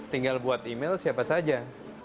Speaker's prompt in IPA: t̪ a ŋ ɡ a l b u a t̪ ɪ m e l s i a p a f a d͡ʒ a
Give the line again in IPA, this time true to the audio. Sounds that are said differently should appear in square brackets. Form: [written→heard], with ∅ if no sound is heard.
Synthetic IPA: t̪ [a→i] ŋ ɡ a l b u a t̪ [ɪ→i] m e l s i a p a [f→s] a d͡ʒ a